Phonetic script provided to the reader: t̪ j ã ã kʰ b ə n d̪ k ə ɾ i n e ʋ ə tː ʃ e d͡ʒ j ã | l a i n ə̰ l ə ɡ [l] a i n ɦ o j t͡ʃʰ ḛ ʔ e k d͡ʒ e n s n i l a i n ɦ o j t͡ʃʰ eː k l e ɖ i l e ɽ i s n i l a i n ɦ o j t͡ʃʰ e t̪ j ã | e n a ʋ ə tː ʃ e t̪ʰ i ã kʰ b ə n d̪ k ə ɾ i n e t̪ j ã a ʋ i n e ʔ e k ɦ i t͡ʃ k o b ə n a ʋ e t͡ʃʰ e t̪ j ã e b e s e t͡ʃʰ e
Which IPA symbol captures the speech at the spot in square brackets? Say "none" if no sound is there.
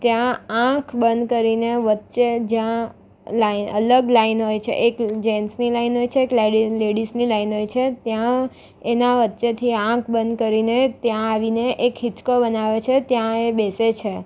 l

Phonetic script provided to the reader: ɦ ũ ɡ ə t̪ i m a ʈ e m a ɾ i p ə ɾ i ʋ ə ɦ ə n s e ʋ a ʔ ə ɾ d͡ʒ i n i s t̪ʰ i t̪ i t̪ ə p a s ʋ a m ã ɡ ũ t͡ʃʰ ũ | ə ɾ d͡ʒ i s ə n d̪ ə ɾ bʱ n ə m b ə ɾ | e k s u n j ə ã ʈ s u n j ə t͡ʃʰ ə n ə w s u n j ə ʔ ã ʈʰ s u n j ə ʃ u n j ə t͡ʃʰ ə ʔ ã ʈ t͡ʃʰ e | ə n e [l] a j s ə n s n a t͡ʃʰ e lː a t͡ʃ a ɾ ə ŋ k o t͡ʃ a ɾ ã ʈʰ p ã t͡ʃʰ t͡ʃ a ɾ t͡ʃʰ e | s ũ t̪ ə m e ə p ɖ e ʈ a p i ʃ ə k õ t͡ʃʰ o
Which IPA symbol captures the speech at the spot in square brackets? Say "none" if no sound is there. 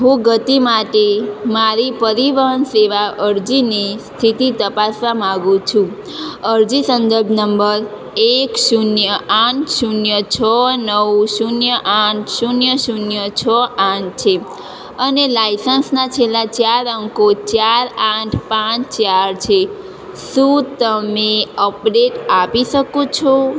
l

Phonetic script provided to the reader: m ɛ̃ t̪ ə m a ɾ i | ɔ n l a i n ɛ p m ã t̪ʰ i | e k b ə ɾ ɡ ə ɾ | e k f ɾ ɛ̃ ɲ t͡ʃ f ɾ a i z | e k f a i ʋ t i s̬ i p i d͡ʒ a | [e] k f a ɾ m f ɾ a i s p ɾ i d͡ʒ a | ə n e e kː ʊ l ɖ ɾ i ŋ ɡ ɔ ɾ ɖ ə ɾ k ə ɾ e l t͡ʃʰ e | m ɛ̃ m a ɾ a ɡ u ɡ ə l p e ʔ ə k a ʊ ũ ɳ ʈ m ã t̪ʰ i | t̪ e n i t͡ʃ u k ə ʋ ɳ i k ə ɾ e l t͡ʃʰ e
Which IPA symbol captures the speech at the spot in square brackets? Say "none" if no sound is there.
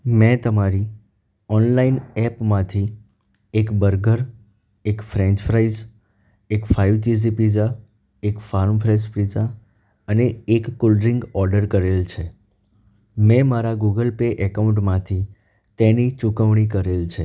e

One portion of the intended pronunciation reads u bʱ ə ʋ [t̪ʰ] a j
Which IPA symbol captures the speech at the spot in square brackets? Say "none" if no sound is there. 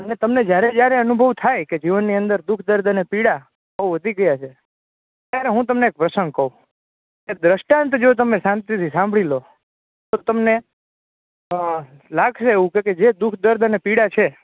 t̪ʰ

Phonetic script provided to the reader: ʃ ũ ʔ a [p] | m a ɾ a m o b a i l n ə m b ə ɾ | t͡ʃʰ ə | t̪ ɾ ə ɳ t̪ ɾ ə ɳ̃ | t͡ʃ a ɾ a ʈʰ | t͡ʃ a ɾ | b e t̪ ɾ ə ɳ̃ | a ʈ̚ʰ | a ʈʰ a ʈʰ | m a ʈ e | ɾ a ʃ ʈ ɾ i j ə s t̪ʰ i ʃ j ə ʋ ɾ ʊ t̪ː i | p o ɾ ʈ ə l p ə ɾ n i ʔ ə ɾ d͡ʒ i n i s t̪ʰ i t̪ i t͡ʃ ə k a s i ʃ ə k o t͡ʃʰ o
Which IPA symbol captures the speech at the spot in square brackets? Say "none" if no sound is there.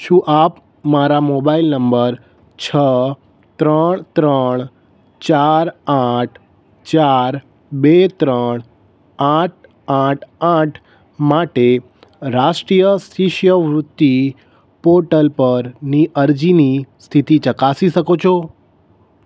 p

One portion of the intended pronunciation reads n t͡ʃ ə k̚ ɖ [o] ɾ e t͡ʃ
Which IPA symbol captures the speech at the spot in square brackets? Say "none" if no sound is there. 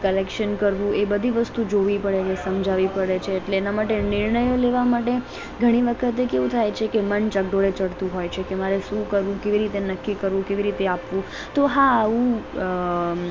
o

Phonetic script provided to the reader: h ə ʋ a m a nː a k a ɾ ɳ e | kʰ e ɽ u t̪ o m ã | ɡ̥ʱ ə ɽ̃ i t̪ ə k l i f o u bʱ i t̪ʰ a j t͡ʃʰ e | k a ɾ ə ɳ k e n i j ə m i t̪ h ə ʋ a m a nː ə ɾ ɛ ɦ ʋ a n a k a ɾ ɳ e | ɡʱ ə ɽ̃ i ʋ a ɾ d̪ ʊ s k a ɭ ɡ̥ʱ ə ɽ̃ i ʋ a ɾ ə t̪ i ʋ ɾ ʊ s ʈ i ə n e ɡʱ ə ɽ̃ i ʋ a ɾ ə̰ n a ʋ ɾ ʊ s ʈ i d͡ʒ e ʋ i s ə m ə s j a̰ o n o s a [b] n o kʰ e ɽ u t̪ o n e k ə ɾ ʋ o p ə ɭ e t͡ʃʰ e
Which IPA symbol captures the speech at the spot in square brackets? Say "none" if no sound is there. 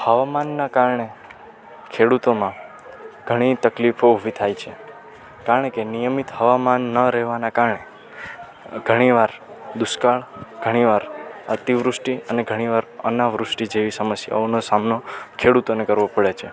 m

